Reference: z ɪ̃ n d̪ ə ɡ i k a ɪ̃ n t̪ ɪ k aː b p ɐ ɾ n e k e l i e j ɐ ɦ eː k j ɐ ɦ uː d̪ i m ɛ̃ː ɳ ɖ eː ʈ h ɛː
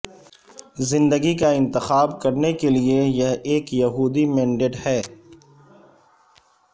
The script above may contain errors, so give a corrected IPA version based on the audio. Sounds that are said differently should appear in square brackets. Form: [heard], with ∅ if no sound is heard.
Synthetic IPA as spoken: z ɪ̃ n d̪ ə ɡ i k a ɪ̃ n t̪ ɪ [x] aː b [k] ɐ ɾ n e k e l i e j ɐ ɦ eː k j ɐ ɦ uː d̪ i m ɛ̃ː ɳ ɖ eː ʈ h ɛː